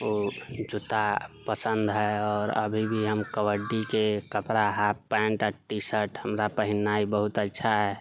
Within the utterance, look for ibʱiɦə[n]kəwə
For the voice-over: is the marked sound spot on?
no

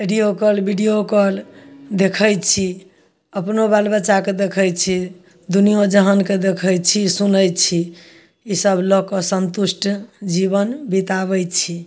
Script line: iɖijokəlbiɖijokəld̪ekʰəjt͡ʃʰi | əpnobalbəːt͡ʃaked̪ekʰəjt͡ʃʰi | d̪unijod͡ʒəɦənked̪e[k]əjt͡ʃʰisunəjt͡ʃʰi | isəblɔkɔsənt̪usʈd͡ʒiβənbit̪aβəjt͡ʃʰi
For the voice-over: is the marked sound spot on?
no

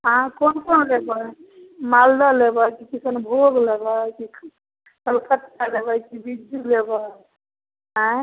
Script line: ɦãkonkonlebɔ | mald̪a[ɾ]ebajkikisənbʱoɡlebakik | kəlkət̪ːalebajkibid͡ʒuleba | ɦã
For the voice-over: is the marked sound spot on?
no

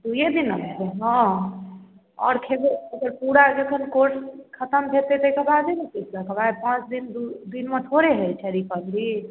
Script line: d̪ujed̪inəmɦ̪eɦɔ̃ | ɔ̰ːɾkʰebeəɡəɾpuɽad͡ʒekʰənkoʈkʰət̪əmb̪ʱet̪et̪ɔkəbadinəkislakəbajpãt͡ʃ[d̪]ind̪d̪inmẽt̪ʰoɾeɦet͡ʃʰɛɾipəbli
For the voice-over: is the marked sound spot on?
yes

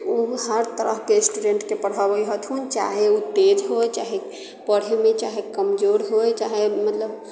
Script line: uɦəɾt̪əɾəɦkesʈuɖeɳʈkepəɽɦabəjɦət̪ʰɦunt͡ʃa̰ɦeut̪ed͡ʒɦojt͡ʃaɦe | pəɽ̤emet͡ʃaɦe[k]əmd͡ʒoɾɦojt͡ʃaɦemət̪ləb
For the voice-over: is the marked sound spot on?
yes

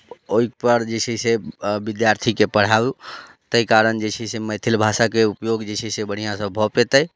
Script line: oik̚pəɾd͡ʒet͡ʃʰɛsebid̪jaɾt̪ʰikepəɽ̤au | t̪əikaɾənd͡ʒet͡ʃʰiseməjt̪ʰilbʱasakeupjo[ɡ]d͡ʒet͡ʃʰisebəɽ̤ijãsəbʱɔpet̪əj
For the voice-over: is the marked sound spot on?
yes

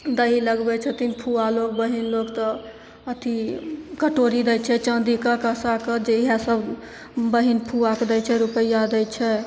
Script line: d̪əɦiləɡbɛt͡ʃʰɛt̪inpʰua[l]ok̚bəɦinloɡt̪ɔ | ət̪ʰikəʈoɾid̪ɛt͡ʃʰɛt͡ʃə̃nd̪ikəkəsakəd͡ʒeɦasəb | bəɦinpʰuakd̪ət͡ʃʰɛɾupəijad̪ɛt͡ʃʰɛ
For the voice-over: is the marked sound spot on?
yes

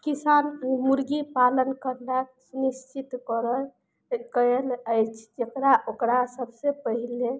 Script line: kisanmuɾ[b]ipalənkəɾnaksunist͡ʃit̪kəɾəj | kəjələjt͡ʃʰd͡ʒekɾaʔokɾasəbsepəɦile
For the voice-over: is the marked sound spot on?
no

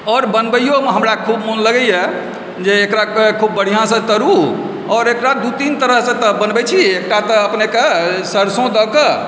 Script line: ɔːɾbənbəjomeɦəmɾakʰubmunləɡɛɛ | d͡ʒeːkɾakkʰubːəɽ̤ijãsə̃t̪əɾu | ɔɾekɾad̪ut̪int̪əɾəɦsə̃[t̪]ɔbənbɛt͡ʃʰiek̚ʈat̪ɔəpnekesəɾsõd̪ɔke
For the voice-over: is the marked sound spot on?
yes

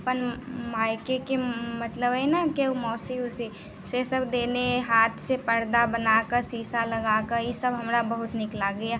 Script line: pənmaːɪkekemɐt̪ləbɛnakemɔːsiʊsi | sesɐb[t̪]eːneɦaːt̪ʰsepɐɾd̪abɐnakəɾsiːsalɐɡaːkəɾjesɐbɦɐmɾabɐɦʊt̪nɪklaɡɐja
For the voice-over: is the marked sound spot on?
no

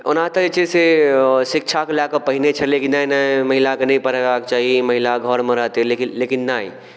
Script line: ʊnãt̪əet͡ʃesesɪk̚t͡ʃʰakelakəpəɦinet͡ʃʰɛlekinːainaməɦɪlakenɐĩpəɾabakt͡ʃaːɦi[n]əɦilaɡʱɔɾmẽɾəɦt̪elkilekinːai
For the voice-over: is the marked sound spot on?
no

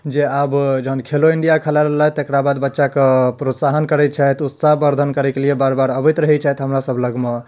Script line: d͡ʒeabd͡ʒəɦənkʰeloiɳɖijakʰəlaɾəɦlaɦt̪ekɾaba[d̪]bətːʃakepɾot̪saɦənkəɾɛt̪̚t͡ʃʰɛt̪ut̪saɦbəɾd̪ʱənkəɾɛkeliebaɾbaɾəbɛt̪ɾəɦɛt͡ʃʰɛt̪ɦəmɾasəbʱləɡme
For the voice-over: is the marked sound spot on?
yes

